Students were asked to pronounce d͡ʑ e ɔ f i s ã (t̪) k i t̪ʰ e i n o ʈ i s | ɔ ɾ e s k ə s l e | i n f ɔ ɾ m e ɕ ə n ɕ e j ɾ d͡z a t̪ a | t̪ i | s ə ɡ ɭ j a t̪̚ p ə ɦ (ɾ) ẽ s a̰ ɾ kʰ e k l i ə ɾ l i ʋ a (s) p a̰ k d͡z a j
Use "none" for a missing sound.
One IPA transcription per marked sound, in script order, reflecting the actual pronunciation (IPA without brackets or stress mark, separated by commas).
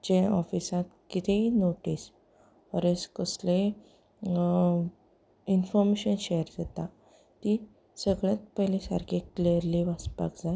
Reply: t̪, l, s